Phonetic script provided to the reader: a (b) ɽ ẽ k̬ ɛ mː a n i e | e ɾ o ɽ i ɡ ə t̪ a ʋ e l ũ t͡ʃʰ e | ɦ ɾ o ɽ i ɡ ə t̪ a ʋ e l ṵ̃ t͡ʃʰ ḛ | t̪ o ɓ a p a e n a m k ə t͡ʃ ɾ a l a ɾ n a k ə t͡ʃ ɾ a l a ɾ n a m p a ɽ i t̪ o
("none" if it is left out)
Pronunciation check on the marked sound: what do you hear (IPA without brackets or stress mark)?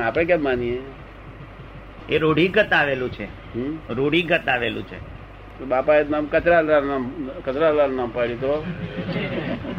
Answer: p